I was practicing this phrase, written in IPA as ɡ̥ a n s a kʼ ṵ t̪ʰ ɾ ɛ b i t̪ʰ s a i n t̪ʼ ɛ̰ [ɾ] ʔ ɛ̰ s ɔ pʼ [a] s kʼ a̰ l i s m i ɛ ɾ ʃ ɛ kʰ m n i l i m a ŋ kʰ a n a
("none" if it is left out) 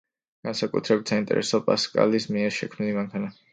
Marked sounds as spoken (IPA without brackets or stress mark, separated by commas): ɾ, a